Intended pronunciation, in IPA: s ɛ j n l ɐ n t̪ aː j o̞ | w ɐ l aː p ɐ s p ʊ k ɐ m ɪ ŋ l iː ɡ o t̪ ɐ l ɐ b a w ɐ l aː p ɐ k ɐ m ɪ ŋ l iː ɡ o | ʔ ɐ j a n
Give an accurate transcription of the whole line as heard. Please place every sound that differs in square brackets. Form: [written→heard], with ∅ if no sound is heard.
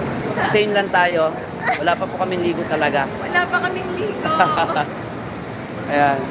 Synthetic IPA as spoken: s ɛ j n l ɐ n t̪ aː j o̞ | w ɐ l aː p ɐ [s→∅] p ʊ k ɐ m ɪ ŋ l iː ɡ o t̪ ɐ l ɐ [b→ɡ] a w ɐ l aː p ɐ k ɐ m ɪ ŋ l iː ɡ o | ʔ ɐ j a n